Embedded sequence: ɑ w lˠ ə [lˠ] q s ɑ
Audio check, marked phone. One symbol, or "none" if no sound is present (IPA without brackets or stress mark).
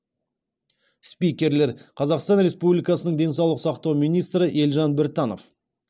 none